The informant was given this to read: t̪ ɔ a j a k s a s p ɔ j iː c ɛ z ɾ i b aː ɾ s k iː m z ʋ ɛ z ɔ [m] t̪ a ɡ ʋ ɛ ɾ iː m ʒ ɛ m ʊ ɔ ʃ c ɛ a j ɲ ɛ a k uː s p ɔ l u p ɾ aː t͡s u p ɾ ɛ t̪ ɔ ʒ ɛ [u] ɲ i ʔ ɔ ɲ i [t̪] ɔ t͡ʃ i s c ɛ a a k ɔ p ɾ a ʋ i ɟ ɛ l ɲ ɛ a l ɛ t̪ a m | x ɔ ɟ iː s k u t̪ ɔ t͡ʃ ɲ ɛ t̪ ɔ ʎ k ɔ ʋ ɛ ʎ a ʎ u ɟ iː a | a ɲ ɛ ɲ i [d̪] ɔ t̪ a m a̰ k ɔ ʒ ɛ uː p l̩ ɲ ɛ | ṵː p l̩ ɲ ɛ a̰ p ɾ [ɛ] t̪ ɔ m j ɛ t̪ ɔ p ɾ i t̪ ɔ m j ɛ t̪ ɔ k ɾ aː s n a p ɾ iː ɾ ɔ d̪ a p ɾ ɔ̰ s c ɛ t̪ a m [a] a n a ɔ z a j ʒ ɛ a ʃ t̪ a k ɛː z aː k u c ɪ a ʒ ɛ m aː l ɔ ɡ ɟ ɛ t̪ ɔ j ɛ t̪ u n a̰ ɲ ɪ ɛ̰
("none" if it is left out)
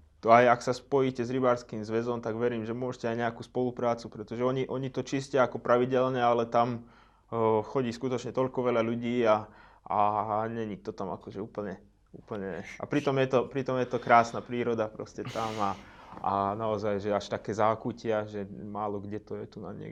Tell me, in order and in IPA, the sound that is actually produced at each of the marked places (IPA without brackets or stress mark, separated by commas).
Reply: m, ɔ, t̪, t̪, i, a